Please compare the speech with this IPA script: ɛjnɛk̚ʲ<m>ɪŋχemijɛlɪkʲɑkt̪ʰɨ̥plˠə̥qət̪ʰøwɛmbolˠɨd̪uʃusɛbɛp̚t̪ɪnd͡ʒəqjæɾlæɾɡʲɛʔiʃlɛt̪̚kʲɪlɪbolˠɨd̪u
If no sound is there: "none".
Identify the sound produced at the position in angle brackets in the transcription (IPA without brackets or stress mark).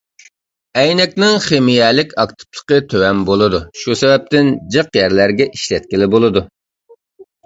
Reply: n